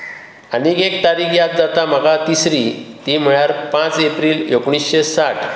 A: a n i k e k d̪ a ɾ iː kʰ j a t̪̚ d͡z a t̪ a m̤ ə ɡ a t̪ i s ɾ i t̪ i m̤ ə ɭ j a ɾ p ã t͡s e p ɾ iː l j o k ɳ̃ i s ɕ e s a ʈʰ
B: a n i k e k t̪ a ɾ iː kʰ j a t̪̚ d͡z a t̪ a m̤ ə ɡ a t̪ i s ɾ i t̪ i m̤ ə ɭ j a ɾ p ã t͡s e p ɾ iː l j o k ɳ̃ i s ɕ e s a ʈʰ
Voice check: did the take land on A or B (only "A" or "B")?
B